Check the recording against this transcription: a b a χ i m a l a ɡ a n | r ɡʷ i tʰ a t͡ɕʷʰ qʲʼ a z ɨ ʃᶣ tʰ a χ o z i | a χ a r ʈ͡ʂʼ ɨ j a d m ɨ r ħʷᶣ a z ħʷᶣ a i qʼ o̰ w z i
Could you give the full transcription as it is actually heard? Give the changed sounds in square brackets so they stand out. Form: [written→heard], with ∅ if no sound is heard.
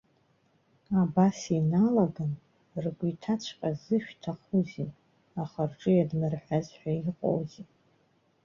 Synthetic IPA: a b a [χ→s] i [m→n] a l a ɡ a n | r ɡʷ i tʰ a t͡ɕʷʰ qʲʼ a z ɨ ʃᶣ tʰ a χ [o→u] z i | a χ a r ʈ͡ʂʼ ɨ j a d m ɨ r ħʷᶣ a z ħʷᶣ a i qʼ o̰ w z i